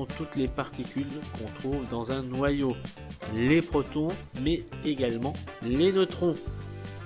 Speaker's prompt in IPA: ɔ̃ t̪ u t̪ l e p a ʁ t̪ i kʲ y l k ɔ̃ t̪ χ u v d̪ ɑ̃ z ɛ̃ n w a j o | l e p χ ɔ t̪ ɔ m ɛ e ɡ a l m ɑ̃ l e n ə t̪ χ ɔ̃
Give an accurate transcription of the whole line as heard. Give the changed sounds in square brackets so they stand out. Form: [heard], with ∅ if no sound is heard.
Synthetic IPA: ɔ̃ t̪ u t̪ l e p a ʁ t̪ i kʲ y l k ɔ̃ t̪ χ u v d̪ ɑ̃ z ɛ̃ n w a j o | l e p χ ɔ t̪ [ɔ̃] m ɛ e ɡ a l m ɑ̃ l e n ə t̪ χ ɔ̃